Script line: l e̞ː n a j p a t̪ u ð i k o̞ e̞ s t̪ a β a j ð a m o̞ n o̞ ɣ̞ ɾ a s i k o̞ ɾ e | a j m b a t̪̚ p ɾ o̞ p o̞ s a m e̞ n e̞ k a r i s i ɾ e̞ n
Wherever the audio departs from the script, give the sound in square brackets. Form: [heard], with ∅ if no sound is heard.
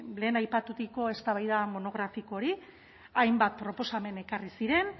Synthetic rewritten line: l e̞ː n a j p a t̪ u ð i k o̞ e̞ s t̪ a β a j ð a m o̞ n o̞ ɣ̞ ɾ a [f] i k o̞ ɾ [i] | a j m b a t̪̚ p ɾ o̞ p o̞ s a m e̞ n e̞ k a r i s i ɾ e̞ n

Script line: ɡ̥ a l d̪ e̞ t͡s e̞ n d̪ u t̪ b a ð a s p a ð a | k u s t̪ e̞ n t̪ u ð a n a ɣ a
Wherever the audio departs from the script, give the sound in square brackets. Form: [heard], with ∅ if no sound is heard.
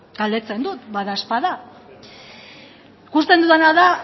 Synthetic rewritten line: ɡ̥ a l d̪ e̞ t͡s e̞ n d̪ u t̪ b a ð a s p a ð a | k u s t̪ e̞ n [d̪] u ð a n a [ð] a

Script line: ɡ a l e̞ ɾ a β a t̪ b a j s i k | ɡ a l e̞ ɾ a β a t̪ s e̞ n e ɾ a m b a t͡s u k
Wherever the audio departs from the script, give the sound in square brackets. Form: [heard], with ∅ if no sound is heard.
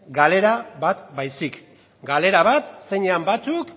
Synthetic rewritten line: ɡ a l e̞ ɾ a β a t̪ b a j s i k | ɡ a l e̞ ɾ a β a t̪ s e̞ [ɲ] e [∅] a m b a t͡s u k

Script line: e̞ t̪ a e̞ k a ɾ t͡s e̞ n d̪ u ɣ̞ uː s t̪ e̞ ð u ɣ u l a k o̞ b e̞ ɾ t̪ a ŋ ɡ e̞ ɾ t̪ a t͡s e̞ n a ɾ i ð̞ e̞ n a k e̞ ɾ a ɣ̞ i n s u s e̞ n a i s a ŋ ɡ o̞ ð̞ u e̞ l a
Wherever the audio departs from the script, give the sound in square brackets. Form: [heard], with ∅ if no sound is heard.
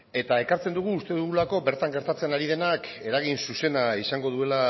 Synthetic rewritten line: e̞ t̪ a e̞ k a ɾ t͡s e̞ n d̪ u ɣ̞ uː s t̪ e̞ ð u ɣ u l a k o̞ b e̞ ɾ t̪ a ŋ ɡ e̞ ɾ t̪ a t͡s e̞ n a ɾ i ð̞ e̞ n a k e̞ ɾ a ɣ̞ i n s u s e̞ n a i s a ŋ ɡ o̞ ð̞ u e̞ l a

